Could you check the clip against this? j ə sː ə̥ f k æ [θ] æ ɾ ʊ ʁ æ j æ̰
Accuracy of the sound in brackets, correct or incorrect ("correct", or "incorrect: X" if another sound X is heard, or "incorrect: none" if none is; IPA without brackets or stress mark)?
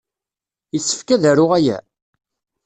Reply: incorrect: ð